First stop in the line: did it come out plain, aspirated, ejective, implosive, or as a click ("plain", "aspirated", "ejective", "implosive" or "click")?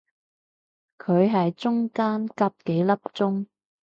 aspirated